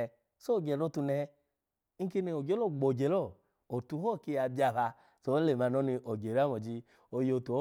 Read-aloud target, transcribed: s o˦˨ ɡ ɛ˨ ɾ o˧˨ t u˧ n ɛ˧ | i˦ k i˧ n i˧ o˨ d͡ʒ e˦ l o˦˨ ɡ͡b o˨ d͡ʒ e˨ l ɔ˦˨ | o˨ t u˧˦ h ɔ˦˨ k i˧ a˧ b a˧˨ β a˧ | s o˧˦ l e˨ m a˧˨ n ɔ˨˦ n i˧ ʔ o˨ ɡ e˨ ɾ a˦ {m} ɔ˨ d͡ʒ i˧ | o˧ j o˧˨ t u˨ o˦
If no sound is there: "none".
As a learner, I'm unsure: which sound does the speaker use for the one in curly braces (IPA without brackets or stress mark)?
m